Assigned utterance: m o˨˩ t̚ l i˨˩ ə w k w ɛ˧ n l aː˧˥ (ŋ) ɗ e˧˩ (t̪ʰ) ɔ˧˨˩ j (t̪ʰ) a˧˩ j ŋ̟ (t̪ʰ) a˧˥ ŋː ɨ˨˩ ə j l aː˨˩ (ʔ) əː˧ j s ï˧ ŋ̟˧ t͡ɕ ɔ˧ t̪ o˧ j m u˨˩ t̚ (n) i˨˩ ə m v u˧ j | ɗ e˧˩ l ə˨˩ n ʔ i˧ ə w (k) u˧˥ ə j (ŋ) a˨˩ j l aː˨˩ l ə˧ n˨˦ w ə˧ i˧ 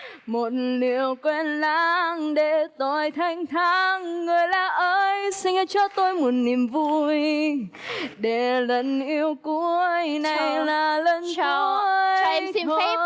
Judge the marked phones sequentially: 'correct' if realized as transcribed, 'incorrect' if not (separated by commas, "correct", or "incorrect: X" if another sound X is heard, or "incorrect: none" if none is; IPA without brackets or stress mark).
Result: correct, incorrect: t̪, correct, correct, correct, correct, correct, incorrect: n